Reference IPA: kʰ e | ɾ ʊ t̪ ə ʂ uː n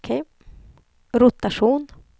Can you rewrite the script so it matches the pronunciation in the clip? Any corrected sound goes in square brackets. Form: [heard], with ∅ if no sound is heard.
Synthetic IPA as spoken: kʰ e | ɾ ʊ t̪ [a] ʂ uː n